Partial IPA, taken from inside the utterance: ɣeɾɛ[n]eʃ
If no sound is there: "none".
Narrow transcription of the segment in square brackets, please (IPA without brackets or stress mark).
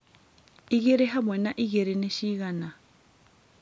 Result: n